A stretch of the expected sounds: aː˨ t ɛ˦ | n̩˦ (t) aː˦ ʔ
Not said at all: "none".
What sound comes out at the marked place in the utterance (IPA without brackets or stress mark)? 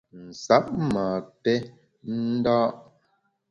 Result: d